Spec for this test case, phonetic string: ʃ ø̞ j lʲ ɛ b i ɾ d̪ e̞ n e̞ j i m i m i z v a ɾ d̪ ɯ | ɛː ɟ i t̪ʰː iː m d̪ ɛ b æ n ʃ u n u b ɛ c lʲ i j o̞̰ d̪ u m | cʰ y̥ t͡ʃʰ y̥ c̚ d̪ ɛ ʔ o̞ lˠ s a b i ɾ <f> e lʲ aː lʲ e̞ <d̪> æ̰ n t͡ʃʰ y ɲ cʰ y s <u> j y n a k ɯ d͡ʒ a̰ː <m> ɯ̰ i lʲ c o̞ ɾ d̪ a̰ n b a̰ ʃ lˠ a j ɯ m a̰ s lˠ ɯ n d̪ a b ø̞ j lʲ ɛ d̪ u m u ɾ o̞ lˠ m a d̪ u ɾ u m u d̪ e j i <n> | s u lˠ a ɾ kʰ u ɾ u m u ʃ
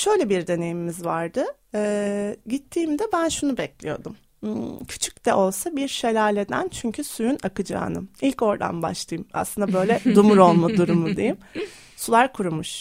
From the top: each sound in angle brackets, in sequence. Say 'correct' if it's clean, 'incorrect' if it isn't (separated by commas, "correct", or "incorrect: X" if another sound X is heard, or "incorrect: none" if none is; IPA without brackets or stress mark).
incorrect: ʃ, correct, correct, incorrect: n, incorrect: m